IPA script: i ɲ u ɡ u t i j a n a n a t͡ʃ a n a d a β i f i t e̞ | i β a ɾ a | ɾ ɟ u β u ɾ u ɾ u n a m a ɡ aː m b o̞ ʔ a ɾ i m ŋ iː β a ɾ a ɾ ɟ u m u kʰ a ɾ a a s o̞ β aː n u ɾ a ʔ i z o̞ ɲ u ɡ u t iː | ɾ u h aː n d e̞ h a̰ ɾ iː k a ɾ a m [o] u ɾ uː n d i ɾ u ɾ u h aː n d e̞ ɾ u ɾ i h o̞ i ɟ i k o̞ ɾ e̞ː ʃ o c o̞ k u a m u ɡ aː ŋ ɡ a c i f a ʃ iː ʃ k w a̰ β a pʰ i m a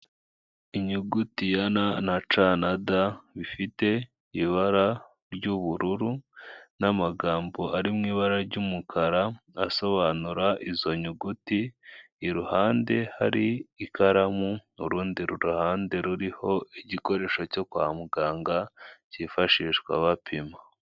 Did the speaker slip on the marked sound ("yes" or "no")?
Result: yes